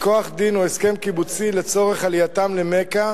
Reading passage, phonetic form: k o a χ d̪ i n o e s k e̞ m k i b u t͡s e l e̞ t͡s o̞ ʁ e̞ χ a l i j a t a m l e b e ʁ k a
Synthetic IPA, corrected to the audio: k o a χ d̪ i n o e s k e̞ m k i b u t͡s i l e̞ t͡s o̞ ʁ e̞ χ a l i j a t a m l e m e k a